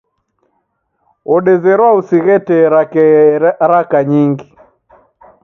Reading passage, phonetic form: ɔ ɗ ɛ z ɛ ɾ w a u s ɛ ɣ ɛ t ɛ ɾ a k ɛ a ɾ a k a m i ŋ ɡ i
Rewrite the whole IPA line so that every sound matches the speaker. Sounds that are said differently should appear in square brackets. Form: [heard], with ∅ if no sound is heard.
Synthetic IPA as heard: ɔ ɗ ɛ z ɛ ɾ w a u s [i] ɣ ɛ t ɛ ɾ a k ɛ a ɾ a k a [ɲ] i ŋ ɡ i

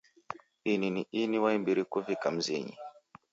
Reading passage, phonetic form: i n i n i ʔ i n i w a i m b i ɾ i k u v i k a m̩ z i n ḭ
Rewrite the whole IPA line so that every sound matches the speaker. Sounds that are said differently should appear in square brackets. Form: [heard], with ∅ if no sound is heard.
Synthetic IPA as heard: i n i n i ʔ i n i w a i m b i ɾ i k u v i k a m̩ z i [ɲ] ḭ

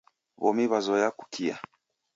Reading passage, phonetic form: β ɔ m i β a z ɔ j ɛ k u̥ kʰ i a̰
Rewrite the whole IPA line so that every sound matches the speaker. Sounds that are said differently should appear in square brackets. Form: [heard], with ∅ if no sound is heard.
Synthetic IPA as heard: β ɔ m i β a z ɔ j [a] k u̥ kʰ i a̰

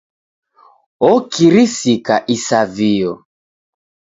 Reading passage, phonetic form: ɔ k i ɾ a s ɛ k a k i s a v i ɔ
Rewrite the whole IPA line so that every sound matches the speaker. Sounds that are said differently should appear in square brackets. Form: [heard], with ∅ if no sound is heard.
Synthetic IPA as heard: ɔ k i ɾ [i] s [i] k a [ʔ] i s a v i ɔ

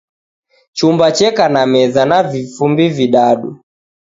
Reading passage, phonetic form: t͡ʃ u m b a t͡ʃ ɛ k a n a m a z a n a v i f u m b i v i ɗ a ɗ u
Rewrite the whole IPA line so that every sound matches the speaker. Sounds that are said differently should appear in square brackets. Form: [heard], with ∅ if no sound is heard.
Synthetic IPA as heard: t͡ʃ u m b a t͡ʃ ɛ k a n a m [ɛ] z a n a v i f u m b i v i ɗ a ɗ u

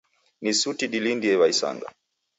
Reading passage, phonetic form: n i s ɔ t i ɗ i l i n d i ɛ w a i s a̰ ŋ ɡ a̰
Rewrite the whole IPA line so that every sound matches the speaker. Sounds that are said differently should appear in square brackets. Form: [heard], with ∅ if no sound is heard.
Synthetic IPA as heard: n i s [u] t i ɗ i l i n d i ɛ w a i s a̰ ŋ ɡ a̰

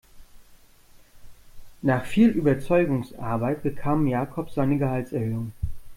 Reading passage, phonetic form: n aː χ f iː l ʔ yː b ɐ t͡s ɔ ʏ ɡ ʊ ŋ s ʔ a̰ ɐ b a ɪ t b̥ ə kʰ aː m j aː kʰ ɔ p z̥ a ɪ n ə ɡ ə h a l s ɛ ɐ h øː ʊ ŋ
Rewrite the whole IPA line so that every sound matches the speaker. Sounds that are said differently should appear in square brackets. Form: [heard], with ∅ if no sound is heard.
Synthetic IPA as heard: n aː χ f iː l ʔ yː b ɐ t͡s ɔ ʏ ɡ ʊ ŋ s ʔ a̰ ɐ b a ɪ t b̥ ə kʰ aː m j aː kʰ ɔ p z̥ a ɪ n ə ɡ ə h a l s ɛ ɐ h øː ʊ ŋ

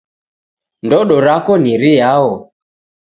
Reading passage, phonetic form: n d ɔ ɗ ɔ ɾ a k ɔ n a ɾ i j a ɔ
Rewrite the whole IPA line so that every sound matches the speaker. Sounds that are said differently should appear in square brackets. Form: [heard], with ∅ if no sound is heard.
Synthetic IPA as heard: n d ɔ ɗ ɔ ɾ a k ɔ n [i] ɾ i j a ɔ

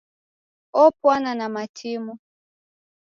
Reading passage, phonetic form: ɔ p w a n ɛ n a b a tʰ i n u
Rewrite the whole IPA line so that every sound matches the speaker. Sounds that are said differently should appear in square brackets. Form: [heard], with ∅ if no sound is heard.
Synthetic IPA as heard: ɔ p w a n [a] n a [m] a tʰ i [m] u

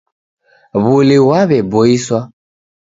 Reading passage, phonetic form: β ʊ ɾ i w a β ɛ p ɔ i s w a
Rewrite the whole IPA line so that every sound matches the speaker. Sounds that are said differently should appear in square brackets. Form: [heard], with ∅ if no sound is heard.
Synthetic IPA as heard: β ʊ [l] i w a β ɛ [b] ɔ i s w a

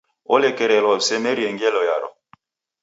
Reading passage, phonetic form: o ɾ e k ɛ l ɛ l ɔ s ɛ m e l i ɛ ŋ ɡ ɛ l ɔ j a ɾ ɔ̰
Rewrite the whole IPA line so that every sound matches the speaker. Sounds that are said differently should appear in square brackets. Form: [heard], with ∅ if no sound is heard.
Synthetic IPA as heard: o [l] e k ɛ [ɾ] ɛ l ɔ s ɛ m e [ɾ] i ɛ ŋ ɡ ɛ l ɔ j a ɾ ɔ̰

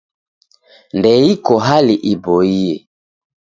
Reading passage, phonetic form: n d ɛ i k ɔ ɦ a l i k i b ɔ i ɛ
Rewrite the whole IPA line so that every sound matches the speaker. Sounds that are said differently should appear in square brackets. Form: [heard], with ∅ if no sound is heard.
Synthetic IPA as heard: n d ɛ i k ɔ ɦ a l i [ʔ] i b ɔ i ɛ

